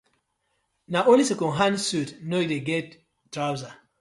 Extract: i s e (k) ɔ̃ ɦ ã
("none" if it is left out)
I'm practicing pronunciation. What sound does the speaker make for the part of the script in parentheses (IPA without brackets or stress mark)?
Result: k